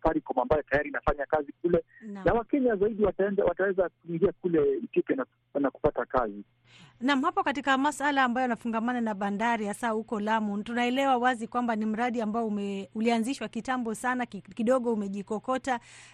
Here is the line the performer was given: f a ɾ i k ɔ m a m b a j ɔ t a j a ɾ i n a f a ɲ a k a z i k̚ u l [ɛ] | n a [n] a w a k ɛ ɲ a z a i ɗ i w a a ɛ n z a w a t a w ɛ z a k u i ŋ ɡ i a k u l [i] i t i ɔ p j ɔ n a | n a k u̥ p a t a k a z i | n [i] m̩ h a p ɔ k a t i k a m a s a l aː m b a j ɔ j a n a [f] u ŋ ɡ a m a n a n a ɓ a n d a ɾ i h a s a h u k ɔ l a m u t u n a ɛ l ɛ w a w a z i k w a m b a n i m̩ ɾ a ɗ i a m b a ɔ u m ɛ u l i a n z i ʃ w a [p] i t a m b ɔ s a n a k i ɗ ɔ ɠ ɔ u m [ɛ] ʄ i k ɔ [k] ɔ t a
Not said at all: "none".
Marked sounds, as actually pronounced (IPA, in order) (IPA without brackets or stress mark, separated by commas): ɛ, n, ɛ, a, f, k, ɛ, k